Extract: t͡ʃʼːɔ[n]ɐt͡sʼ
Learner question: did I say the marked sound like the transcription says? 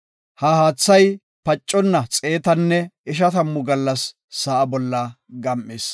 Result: no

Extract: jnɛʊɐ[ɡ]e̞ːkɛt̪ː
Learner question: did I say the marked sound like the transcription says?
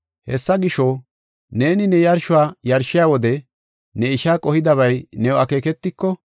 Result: no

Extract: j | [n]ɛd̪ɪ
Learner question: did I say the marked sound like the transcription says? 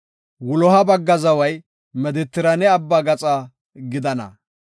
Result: no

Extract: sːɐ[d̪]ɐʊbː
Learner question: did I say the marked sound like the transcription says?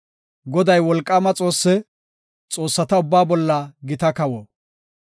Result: no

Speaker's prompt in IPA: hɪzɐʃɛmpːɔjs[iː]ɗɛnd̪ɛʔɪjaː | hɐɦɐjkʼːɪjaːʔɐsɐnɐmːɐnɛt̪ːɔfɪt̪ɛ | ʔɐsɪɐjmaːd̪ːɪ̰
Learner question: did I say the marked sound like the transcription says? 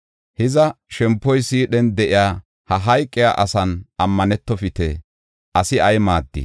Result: yes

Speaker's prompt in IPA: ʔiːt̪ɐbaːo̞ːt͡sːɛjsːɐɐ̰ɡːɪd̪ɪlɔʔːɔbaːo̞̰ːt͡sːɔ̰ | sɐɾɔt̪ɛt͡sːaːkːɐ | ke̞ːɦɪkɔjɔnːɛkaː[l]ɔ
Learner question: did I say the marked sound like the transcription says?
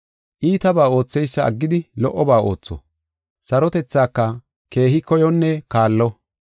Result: no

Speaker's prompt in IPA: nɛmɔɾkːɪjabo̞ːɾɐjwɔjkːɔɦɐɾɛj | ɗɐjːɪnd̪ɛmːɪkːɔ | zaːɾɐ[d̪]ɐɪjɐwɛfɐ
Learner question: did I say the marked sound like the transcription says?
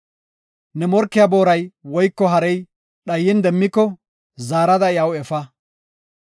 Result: yes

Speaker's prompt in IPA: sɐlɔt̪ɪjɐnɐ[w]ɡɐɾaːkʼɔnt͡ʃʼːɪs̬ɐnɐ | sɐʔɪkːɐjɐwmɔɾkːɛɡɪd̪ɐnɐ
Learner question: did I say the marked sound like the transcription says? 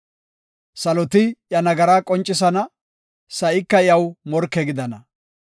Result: no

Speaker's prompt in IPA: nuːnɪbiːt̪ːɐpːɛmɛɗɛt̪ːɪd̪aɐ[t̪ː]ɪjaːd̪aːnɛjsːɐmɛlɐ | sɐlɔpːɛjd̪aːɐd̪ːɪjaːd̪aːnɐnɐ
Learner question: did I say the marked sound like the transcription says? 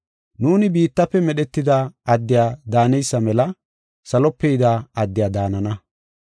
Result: no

